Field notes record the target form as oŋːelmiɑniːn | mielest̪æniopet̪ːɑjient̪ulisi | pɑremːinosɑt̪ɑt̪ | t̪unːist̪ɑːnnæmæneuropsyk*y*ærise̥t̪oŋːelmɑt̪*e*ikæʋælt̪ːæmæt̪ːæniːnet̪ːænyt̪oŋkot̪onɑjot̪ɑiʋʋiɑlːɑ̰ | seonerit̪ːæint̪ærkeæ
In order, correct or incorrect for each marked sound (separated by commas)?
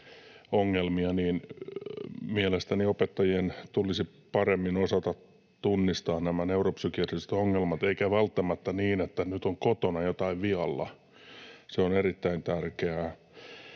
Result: incorrect, correct